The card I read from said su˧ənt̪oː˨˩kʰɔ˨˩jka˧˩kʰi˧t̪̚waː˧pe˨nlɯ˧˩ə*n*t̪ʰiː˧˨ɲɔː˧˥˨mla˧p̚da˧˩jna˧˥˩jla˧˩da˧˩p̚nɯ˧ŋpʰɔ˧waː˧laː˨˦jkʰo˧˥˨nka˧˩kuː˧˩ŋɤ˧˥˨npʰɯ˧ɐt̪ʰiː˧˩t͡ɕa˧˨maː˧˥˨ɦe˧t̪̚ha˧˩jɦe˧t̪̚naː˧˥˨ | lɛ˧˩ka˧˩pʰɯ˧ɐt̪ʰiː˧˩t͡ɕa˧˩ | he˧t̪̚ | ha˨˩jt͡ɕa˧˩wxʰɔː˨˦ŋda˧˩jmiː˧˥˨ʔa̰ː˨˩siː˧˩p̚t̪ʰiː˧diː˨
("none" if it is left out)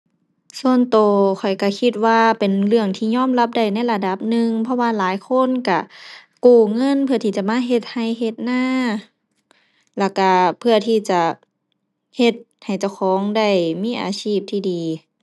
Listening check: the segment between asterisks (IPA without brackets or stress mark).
ŋ